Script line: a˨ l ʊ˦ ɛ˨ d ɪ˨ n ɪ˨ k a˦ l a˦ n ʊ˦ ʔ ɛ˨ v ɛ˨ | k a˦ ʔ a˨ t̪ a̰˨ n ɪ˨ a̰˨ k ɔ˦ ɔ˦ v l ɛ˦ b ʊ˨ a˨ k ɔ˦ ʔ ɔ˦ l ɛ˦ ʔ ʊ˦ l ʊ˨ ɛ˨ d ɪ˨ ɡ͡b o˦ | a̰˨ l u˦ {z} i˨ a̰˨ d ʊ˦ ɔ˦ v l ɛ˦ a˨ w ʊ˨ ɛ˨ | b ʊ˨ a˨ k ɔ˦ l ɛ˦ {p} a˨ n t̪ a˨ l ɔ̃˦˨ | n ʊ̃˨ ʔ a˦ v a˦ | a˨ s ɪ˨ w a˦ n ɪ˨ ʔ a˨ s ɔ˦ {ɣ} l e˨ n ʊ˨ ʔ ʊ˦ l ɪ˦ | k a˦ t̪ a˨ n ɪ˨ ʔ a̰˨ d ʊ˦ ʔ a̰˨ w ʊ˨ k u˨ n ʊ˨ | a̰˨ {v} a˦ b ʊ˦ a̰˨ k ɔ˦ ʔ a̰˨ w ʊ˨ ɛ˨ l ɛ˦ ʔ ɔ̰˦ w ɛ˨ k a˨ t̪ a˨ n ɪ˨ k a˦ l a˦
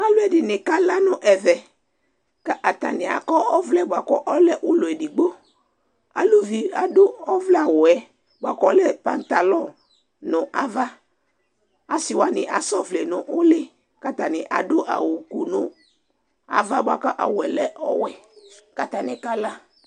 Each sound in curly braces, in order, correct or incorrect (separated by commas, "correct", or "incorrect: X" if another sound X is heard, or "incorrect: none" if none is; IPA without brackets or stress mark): incorrect: v, correct, incorrect: v, correct